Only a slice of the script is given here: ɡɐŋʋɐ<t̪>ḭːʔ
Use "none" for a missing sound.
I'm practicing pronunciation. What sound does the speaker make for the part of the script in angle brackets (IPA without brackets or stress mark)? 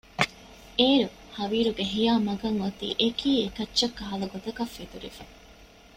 t̪